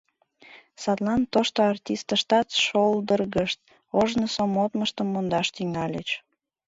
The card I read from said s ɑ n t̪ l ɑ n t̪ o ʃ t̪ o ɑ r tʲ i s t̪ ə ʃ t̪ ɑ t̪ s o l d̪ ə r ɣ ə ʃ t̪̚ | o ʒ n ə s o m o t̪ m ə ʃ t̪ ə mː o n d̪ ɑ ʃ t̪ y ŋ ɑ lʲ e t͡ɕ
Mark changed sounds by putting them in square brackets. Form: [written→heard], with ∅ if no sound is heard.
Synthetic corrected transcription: s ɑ [n→∅] t̪ l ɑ n t̪ o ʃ t̪ o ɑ r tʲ i s t̪ ə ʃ t̪ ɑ t̪ [s→ʃ] o l d̪ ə r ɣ ə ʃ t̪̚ | o ʒ n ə s o m o t̪ m ə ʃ t̪ ə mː o n d̪ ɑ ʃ t̪ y ŋ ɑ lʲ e t͡ɕ